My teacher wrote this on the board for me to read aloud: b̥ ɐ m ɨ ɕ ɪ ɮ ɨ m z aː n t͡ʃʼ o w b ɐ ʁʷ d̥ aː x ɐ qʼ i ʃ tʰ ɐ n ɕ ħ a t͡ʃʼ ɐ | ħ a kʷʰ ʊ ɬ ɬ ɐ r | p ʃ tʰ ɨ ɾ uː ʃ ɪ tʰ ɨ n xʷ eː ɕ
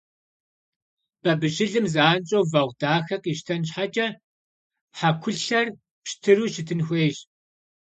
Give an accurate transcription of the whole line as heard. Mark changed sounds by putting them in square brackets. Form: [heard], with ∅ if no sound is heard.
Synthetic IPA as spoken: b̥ ɐ [b] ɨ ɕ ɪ ɮ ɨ m z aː n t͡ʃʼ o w [v] ɐ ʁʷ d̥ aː x ɐ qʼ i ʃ tʰ ɐ n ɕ ħ a t͡ʃʼ ɐ | ħ a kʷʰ ʊ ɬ ɬ ɐ r | p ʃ tʰ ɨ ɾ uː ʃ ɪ tʰ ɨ n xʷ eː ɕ